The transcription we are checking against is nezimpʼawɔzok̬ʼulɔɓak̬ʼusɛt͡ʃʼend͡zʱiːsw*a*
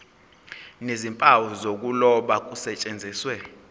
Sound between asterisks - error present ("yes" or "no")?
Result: yes